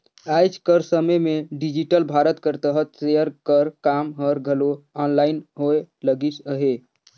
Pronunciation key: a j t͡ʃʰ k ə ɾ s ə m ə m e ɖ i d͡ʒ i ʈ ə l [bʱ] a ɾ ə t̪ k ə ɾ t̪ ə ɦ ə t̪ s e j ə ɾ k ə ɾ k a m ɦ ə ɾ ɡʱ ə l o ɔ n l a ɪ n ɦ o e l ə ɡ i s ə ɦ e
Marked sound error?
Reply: no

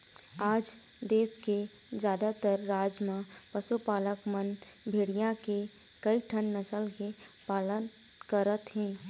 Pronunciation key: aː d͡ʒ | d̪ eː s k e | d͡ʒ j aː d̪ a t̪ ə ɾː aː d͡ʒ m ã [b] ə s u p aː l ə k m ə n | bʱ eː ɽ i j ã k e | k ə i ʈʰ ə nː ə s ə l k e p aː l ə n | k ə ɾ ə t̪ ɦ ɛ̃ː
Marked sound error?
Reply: yes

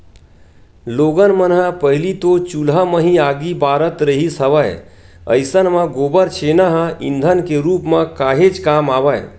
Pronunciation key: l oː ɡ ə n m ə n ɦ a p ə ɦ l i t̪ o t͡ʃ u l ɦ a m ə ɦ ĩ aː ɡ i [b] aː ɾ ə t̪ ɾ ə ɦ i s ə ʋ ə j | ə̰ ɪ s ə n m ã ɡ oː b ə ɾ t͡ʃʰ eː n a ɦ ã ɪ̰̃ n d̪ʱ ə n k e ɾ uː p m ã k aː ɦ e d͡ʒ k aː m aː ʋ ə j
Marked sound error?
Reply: no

